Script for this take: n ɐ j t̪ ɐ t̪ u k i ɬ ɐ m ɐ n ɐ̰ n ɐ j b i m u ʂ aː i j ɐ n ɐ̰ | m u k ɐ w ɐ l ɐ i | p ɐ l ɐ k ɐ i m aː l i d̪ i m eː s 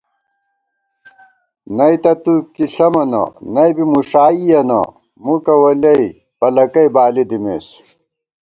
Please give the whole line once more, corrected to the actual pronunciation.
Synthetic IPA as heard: n ɐ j t̪ ɐ t̪ u k i ɬ ɐ m ɐ n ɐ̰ n ɐ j b i m u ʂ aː i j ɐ n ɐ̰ | m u k ɐ w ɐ l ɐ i | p ɐ l ɐ k ɐ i b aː l i d̪ i m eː s